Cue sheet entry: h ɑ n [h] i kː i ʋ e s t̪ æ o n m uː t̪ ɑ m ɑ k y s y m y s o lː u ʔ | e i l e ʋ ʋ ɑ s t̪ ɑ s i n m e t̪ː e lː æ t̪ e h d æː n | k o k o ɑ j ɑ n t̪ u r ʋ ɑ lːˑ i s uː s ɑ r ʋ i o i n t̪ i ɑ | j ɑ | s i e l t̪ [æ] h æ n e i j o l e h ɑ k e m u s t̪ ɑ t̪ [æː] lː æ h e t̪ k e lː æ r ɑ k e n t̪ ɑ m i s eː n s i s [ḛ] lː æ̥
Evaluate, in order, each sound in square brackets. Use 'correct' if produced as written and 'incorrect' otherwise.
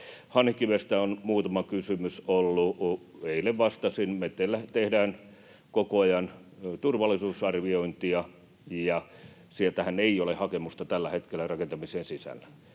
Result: correct, correct, incorrect: æ, incorrect: æ̰

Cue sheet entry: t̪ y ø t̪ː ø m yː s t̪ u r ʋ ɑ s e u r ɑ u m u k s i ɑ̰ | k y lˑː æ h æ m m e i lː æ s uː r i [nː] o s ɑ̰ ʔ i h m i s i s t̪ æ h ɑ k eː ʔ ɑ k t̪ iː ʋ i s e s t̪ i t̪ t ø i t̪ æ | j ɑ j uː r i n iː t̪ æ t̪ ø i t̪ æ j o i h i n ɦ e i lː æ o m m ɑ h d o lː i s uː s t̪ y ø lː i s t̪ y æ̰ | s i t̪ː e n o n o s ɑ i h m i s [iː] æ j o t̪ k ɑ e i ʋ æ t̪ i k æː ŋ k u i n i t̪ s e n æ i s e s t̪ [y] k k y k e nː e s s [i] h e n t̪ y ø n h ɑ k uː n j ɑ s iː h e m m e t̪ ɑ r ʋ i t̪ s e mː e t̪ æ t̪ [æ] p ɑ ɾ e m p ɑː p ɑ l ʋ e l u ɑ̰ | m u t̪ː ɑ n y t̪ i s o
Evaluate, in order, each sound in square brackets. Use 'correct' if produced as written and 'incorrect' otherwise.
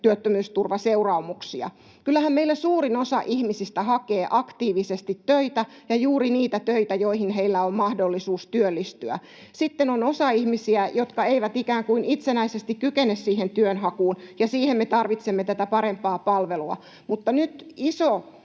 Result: incorrect: n, incorrect: i, incorrect: i, incorrect: iː, correct

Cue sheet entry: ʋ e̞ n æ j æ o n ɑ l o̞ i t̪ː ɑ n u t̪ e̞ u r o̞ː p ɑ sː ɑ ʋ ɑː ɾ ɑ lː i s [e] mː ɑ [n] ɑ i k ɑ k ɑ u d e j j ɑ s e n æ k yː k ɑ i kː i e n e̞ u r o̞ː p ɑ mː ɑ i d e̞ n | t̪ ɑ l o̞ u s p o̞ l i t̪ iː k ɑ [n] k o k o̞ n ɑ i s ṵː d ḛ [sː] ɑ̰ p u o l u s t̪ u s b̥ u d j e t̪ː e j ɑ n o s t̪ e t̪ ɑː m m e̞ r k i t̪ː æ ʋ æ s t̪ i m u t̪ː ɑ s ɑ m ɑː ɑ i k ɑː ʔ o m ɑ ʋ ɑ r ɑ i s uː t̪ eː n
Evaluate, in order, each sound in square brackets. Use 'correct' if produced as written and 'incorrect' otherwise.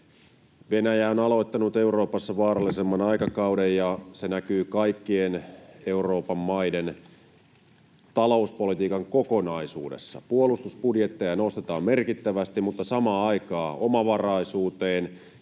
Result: correct, correct, incorrect: ŋ, correct

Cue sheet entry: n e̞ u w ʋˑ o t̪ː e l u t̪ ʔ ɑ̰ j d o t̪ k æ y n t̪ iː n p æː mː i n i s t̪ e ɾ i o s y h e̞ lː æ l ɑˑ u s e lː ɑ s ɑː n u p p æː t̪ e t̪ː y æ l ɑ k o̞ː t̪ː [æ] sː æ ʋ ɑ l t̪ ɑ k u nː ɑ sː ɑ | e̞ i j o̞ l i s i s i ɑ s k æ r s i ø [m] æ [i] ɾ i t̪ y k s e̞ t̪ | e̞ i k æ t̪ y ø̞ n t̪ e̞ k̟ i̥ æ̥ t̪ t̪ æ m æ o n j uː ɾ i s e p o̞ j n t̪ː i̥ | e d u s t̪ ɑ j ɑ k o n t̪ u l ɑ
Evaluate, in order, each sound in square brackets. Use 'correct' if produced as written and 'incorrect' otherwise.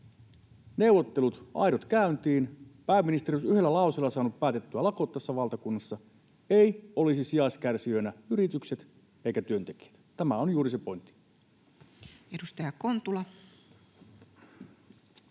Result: correct, incorrect: n, incorrect: y

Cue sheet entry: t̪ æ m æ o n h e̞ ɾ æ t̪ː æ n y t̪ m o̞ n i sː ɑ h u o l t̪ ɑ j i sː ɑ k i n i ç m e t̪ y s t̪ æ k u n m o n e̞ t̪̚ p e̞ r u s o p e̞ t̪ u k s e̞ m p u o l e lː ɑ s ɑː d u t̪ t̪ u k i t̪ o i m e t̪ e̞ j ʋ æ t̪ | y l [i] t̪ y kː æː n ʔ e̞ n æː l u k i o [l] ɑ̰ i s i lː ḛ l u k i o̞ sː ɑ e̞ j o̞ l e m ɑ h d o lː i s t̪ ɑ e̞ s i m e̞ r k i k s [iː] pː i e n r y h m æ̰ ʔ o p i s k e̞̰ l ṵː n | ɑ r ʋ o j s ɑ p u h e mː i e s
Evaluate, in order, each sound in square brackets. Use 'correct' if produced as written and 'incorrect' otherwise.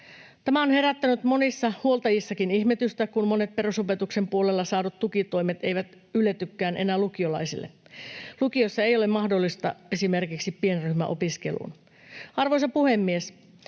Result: incorrect: e, correct, incorrect: i

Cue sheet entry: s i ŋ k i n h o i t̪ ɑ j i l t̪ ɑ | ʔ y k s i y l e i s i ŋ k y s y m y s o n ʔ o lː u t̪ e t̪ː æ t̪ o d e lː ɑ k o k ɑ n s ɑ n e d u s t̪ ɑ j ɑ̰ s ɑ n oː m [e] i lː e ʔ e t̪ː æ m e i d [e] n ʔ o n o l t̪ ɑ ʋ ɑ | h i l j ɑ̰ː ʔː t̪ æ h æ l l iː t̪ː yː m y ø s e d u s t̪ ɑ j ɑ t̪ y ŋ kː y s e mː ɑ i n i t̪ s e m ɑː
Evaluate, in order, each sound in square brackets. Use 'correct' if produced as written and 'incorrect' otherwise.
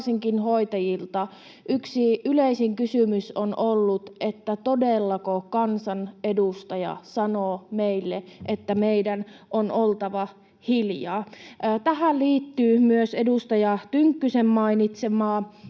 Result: correct, incorrect: æ

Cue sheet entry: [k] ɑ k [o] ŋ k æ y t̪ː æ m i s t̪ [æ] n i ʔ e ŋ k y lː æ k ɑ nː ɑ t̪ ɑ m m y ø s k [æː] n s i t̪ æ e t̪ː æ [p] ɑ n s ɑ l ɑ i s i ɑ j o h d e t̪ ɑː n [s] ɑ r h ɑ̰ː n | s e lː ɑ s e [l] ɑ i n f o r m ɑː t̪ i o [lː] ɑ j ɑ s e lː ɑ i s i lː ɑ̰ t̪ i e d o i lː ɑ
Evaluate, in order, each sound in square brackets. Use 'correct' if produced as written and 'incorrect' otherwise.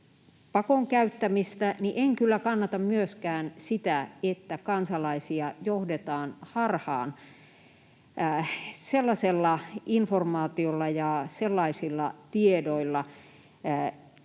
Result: incorrect: p, correct, correct, correct, incorrect: k, incorrect: h, incorrect: lː, correct

